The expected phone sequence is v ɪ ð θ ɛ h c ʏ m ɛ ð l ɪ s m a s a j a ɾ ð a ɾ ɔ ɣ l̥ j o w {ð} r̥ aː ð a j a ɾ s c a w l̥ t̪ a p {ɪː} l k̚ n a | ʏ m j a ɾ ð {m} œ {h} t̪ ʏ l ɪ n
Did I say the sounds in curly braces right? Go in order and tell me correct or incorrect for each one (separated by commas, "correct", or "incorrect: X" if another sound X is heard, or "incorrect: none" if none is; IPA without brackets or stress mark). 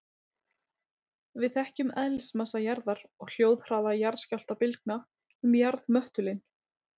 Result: correct, incorrect: ɪ, correct, correct